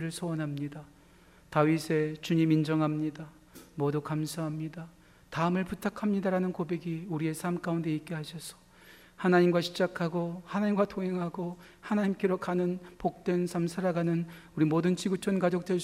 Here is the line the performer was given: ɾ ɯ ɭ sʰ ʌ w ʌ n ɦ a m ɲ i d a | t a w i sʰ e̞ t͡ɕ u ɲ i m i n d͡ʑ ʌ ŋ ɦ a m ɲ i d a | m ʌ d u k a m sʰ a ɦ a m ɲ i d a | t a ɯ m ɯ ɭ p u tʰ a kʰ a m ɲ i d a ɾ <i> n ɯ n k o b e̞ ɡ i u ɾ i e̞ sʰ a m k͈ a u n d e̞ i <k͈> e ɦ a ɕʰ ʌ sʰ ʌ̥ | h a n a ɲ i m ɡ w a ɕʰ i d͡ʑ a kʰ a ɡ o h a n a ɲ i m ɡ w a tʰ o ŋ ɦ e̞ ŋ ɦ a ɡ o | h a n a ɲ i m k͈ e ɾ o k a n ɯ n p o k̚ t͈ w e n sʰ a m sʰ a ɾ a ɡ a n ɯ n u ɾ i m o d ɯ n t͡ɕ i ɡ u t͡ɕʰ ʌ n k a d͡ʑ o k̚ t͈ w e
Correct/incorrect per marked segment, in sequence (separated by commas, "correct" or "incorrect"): incorrect, correct